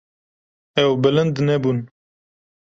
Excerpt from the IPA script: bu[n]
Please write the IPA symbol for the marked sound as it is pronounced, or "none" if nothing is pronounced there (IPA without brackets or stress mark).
n